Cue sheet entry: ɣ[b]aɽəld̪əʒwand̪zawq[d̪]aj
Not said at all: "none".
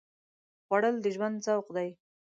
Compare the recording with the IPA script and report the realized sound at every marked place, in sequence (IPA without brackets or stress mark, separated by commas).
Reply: w, d̪